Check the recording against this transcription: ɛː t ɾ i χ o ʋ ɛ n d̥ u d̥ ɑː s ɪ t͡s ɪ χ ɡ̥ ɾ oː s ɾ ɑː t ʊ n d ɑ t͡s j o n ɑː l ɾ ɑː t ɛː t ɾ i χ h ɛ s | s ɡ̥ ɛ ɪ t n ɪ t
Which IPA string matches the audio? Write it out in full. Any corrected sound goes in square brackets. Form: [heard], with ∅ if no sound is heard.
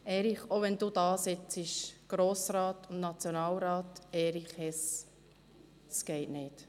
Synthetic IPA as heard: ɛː [∅] ɾ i χ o ʋ ɛ n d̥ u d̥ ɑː s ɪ t͡s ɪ [ʃ] ɡ̥ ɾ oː s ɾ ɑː t ʊ n [n] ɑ t͡s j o n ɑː l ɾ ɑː t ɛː [∅] ɾ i χ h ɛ s | s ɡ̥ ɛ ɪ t n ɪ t